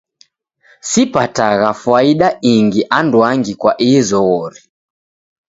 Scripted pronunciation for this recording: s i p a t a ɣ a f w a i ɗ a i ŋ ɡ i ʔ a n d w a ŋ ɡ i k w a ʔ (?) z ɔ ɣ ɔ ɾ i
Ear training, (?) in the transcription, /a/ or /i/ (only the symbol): i